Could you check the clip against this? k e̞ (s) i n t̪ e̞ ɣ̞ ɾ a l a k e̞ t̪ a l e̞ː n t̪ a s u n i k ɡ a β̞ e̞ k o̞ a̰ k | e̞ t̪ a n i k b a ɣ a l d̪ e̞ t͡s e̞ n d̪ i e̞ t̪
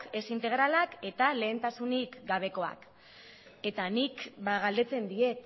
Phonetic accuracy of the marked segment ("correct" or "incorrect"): correct